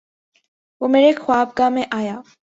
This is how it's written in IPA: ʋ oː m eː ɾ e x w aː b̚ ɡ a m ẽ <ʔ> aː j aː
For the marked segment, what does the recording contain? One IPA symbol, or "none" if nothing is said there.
ʔ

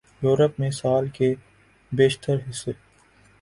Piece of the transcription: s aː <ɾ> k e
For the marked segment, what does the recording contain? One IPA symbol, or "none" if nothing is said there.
l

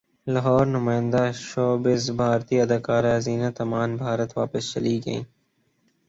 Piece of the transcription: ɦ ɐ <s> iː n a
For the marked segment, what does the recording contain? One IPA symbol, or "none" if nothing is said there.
z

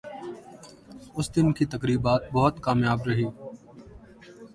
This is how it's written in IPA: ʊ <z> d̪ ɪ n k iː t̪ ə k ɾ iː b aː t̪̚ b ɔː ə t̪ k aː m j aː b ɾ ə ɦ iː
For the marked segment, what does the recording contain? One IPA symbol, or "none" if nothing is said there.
s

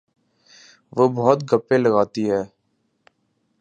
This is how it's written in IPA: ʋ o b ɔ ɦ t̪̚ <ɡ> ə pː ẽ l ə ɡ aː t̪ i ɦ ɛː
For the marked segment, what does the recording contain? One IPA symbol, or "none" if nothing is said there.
ɡ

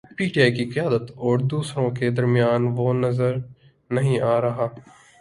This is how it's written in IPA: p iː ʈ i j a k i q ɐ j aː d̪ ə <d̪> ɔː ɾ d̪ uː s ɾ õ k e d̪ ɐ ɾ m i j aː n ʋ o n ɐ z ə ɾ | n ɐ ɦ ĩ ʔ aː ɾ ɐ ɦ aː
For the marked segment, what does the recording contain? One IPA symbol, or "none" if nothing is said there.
t̪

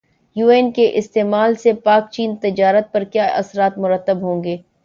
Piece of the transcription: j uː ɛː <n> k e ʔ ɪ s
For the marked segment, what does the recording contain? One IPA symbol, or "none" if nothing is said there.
n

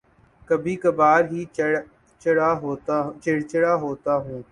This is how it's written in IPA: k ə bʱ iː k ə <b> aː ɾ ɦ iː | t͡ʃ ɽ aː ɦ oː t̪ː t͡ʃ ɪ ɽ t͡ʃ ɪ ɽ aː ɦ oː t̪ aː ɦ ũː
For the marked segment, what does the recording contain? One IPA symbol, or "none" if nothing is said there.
b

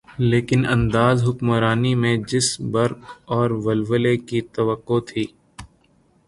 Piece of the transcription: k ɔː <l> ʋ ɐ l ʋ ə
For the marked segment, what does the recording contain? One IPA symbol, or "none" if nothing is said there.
ɾ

